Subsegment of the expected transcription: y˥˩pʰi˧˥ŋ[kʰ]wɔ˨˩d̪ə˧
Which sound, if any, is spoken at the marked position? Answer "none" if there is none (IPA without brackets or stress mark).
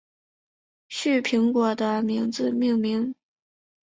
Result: k